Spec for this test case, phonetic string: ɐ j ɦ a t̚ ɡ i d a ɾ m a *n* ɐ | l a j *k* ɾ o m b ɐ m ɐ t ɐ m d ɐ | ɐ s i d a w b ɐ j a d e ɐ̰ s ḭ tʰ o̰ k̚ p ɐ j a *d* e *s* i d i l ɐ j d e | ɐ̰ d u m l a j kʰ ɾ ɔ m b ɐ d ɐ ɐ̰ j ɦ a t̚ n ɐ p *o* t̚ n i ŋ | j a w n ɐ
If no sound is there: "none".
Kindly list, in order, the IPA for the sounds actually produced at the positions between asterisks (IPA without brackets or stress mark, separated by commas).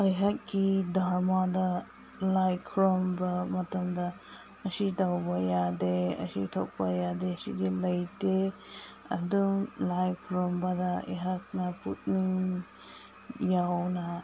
d, kʰ, d, s, u